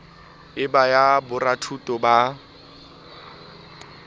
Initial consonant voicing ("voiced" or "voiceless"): voiced